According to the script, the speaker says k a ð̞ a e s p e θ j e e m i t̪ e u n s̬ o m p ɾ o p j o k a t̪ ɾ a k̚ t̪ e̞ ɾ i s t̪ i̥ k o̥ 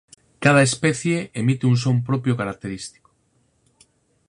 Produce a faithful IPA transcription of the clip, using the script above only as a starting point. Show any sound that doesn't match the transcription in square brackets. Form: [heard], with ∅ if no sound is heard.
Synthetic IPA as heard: k a ð̞ a e s p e θ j e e m i t̪ e u n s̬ o m p ɾ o p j o k a [∅] ɾ a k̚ t̪ e̞ ɾ i s t̪ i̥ k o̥